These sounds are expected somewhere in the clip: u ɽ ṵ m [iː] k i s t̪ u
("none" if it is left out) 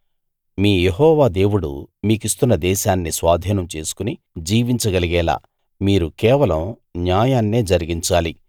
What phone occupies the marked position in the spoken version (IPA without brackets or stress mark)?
iː